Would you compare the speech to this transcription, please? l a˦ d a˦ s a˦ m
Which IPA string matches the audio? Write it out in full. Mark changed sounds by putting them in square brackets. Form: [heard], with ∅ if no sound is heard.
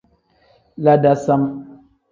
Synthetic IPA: l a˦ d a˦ s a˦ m